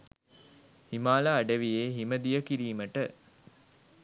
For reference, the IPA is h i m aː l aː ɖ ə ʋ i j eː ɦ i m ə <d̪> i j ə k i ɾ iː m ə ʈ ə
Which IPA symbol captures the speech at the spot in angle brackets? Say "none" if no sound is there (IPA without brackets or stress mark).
d̪